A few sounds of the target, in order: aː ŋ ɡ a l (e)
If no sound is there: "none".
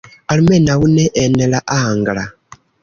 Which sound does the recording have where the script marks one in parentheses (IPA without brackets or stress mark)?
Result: a